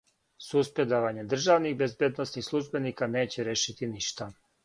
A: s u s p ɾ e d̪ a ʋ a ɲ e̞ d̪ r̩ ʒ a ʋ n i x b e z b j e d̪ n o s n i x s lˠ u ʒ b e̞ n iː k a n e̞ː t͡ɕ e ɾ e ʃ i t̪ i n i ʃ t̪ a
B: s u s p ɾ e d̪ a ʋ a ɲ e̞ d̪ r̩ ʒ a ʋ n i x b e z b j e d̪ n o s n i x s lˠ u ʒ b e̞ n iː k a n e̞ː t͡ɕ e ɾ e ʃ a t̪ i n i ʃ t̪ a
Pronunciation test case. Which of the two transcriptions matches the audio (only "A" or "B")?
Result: A